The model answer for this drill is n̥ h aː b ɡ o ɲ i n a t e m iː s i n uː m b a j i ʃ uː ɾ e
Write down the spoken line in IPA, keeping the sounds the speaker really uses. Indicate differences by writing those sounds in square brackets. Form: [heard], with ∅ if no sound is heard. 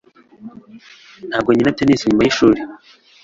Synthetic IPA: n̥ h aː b ɡ o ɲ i n a t e [n] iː s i [ɲ] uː m b a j i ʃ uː ɾ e